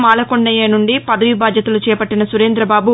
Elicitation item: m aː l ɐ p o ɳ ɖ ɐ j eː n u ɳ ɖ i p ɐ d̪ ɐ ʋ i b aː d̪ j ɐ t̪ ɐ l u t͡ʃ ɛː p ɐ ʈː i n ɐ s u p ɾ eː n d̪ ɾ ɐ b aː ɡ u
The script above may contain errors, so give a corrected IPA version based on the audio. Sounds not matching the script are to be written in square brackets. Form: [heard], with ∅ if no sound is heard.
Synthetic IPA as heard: m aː l ɐ [k] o ɳ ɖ ɐ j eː n u ɳ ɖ i p ɐ d̪ ɐ ʋ i b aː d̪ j ɐ t̪ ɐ l u t͡ʃ ɛː p ɐ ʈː i n ɐ s u [∅] ɾ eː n d̪ ɾ ɐ b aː [b] u